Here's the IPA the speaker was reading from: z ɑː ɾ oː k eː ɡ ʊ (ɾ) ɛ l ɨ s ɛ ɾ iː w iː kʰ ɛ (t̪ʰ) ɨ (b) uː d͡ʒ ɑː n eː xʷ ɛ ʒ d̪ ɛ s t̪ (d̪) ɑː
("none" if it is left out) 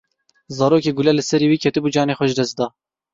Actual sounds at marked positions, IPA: l, t̪, b, d̪

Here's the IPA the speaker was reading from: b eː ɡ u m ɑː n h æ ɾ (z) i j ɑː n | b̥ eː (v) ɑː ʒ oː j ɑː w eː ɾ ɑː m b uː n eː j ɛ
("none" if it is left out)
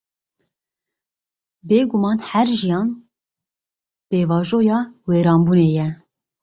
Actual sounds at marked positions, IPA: ʒ, v

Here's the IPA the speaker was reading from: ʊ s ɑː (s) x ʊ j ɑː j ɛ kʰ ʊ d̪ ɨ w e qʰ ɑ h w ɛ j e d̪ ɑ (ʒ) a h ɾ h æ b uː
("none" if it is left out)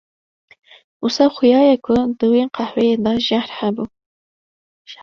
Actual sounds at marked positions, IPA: none, ʒ

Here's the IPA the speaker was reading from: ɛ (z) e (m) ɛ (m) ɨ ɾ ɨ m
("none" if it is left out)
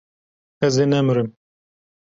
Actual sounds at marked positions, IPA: z, n, m

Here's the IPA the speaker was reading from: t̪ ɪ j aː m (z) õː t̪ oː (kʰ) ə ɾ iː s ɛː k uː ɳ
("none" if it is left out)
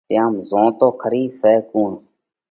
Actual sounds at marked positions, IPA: z, kʰ

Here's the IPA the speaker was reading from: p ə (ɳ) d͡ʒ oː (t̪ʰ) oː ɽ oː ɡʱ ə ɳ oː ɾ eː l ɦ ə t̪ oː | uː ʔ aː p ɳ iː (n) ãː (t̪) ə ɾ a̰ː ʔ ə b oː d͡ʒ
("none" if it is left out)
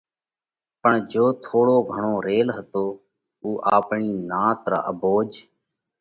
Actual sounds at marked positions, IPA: ɳ, t̪ʰ, n, t̪

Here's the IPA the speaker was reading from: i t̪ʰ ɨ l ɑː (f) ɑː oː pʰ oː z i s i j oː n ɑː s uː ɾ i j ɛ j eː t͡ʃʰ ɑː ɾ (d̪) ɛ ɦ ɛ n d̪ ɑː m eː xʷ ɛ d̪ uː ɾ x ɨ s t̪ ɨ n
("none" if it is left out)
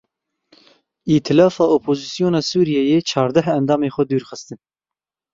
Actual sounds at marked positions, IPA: f, d̪

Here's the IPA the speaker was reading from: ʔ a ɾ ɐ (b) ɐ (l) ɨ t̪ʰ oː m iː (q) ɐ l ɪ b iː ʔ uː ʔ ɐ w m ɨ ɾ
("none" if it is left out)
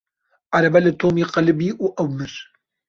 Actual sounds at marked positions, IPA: b, l, q

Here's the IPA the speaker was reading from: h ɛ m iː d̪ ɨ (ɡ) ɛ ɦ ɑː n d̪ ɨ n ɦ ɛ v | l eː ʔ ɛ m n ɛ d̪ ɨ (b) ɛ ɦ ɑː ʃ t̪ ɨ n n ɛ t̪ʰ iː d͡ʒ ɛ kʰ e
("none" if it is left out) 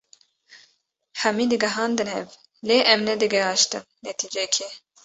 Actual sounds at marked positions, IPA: ɡ, ɡ

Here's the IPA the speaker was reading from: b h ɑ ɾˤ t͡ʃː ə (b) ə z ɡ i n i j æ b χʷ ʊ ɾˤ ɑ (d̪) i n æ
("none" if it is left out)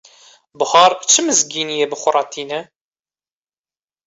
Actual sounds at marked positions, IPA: m, t̪

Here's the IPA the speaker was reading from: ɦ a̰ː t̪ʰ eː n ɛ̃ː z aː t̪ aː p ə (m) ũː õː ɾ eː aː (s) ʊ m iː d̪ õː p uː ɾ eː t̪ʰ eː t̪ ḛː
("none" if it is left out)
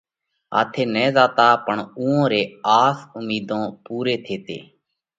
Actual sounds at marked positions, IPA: ɳ, s

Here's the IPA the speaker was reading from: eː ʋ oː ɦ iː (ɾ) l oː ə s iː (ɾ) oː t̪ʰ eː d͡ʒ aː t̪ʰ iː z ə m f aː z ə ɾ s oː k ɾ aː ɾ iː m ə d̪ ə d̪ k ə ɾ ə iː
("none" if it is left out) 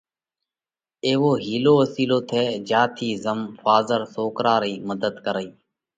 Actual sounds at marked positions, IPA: none, l

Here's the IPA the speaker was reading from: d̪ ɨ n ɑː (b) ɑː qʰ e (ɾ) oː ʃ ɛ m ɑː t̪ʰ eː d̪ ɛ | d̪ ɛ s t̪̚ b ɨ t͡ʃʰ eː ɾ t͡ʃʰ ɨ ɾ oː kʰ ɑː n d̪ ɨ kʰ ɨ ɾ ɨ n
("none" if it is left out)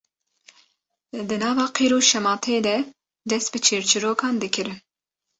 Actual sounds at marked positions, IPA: v, ɾ

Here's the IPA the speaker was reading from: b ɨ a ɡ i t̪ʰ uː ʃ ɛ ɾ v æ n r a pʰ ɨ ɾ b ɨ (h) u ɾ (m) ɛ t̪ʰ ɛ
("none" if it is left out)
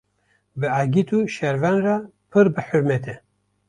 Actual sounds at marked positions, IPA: ħ, m

